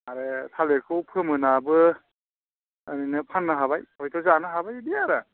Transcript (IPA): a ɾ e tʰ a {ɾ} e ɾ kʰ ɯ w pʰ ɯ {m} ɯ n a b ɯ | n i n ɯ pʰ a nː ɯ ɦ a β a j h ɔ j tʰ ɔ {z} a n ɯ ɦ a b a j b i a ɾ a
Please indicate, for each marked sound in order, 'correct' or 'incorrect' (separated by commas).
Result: incorrect, correct, correct